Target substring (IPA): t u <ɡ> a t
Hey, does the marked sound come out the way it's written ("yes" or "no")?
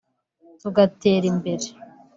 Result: yes